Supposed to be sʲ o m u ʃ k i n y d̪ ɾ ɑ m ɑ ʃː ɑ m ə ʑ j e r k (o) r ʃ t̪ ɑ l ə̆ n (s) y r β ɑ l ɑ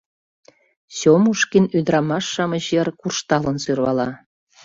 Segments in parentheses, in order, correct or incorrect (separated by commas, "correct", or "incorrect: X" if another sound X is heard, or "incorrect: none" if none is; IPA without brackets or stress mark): incorrect: u, correct